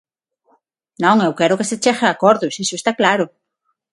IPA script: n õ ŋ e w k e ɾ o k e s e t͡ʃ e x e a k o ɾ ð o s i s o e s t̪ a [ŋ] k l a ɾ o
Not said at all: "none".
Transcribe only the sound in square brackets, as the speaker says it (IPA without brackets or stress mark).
none